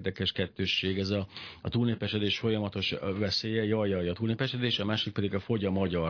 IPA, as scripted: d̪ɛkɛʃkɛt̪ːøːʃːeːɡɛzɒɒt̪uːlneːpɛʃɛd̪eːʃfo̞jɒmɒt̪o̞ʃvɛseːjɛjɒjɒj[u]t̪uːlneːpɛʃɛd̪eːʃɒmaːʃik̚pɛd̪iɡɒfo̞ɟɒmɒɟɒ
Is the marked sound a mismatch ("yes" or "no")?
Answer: yes